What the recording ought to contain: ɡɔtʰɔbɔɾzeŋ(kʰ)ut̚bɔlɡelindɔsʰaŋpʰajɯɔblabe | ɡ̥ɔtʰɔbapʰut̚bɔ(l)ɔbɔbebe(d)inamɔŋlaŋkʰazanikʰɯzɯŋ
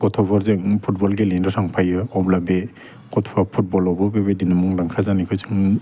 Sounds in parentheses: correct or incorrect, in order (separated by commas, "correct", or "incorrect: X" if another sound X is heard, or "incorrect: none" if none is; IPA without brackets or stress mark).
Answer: incorrect: pʰ, correct, correct